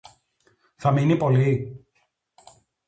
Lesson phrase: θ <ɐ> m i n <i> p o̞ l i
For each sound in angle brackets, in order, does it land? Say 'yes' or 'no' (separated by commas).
yes, yes